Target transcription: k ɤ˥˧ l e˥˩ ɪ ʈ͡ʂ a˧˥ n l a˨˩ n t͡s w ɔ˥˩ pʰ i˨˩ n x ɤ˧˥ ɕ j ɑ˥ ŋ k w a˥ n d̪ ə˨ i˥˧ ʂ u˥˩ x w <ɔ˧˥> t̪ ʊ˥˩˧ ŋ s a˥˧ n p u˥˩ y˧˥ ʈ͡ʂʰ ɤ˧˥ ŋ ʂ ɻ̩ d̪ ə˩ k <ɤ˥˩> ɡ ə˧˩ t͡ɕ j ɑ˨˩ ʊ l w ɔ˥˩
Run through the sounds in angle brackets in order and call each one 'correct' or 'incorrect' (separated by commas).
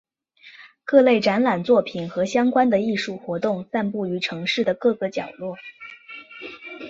correct, correct